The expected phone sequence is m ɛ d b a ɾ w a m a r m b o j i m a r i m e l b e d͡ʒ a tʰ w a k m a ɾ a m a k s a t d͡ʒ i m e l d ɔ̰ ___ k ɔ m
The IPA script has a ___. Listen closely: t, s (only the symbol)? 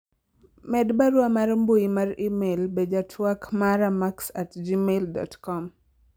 t